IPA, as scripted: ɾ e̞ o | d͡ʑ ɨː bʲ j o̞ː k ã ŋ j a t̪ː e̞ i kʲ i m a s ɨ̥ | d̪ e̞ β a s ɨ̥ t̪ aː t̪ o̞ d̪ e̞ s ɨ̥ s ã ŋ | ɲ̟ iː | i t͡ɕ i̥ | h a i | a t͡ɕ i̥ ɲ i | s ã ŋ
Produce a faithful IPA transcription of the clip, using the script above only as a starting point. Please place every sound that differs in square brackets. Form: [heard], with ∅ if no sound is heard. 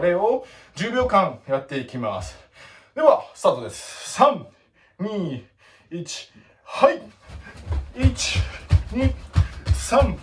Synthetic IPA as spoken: ɾ e̞ o | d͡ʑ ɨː bʲ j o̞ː k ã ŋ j a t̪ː e̞ i kʲ i m a s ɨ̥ | d̪ e̞ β a s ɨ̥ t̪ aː t̪ o̞ d̪ e̞ s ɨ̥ s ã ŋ | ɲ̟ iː | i t͡ɕ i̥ | h a i | [i] t͡ɕ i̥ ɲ i | s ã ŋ